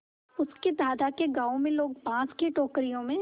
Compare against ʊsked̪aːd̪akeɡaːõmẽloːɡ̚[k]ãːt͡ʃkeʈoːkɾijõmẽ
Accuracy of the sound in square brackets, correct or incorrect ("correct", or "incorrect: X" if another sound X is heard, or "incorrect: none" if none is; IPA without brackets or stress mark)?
incorrect: p